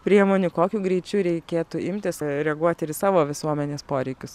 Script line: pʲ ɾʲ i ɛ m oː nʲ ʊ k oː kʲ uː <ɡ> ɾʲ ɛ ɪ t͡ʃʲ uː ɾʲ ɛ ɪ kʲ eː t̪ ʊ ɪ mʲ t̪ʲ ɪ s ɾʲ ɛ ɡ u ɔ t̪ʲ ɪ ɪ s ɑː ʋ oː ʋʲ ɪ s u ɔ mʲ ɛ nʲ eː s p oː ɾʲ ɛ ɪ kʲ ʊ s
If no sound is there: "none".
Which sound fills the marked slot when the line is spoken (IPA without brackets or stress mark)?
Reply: ɡ